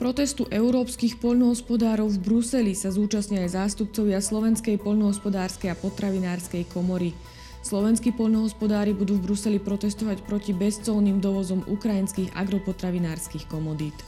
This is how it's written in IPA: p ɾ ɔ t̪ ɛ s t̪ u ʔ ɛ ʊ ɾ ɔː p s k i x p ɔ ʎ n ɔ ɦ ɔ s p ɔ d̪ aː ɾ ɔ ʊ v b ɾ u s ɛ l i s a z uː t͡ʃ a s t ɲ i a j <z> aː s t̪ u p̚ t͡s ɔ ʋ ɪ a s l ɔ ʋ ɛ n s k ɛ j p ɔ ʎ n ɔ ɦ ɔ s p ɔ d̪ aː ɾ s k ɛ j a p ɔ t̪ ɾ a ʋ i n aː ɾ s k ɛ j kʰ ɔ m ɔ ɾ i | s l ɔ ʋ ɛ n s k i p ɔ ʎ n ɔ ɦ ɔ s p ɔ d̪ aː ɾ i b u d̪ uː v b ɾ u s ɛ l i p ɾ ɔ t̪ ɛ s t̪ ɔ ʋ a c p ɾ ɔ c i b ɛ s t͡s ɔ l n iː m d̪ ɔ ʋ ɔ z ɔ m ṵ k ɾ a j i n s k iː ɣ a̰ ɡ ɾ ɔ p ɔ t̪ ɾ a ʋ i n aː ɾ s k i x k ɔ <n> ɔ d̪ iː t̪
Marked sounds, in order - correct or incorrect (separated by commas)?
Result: correct, incorrect